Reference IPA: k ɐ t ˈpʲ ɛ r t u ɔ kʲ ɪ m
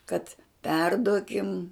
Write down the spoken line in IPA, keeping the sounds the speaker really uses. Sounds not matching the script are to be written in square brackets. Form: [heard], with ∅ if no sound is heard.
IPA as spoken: k ɐ t ˈpʲ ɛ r [d] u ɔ kʲ ɪ m